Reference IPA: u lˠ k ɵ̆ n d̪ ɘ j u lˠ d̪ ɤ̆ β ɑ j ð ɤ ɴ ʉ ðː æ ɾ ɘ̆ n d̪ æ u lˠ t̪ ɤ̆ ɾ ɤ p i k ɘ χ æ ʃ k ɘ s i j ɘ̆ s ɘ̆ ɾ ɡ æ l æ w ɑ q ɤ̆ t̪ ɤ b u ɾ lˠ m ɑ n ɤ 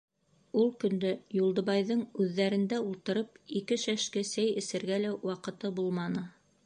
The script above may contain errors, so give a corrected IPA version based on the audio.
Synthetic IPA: u lˠ k ɵ̆ n d̪ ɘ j u lˠ d̪ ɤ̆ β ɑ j ð ɤ ɴ ʉ ðː æ ɾ ɘ̆ n d̪ æ u lˠ t̪ ɤ̆ ɾ ɤ p i k ɘ ʃ æ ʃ k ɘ s æ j ɘ̆ s ɘ̆ ɾ ɡ æ l æ w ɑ q ɤ̆ t̪ ɤ b u lˠ m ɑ n ɤ